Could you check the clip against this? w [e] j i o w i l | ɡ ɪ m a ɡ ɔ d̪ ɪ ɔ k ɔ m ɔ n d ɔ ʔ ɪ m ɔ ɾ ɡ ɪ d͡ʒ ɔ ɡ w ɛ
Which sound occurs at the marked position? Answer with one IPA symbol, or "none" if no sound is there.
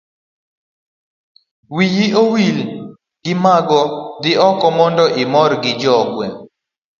i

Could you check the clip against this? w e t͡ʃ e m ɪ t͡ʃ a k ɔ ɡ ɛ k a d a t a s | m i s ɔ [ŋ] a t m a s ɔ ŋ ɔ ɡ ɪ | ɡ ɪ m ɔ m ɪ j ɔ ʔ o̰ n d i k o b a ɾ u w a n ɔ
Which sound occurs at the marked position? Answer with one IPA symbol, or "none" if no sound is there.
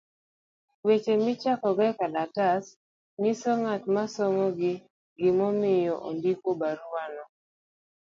ŋ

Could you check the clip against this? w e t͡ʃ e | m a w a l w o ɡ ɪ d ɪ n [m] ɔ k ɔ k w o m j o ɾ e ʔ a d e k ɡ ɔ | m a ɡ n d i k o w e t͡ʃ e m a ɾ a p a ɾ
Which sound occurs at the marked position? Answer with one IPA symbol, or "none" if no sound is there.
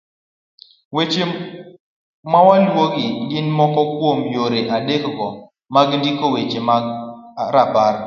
m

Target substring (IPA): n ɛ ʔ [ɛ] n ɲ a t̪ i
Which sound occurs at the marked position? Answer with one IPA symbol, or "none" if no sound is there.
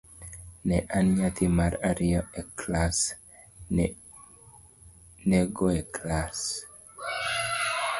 a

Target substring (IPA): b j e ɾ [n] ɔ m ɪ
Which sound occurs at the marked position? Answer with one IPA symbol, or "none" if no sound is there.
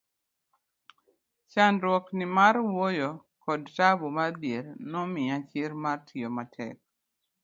n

